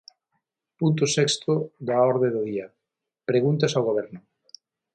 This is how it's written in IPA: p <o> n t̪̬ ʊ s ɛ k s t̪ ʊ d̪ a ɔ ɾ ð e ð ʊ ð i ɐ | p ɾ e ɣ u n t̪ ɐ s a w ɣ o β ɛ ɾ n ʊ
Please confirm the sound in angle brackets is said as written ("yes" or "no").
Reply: no